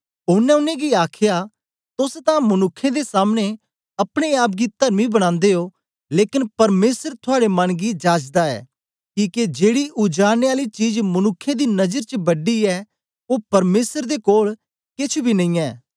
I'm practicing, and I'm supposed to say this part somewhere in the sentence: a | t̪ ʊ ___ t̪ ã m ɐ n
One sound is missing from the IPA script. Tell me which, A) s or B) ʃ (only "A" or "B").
A